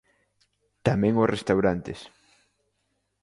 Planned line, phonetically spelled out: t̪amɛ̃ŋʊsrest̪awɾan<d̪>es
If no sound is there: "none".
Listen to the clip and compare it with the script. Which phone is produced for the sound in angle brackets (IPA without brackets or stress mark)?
t̪